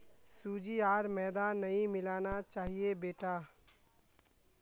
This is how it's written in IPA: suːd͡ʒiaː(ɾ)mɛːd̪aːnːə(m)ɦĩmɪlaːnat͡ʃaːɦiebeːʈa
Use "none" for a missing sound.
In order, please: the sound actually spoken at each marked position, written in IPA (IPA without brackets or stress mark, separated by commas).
ɾ, none